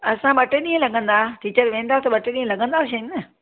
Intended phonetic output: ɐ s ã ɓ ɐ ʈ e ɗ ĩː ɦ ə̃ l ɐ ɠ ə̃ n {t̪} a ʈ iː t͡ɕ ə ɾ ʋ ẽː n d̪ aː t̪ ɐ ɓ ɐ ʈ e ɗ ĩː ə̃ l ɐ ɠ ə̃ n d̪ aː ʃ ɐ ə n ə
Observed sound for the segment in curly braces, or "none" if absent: d̪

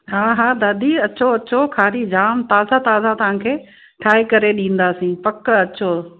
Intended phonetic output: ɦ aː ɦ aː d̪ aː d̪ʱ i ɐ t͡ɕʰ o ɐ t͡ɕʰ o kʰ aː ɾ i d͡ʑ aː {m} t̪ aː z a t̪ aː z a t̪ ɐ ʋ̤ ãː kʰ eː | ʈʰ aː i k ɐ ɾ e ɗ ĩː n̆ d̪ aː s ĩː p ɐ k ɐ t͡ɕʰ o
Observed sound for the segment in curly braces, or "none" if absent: m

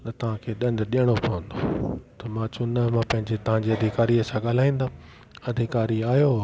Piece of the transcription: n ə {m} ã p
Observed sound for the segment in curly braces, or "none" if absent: m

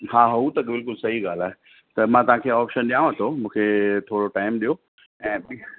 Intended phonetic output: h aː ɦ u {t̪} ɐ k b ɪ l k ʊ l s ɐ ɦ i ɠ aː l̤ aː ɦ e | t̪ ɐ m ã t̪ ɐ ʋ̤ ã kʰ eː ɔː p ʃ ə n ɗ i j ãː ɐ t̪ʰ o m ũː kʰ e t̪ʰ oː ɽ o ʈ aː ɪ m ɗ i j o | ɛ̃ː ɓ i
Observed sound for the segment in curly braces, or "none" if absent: t̪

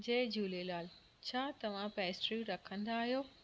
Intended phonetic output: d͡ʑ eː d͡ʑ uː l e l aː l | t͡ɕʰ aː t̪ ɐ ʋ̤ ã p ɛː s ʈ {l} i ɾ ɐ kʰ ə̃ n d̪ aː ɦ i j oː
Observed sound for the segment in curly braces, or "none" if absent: ɾ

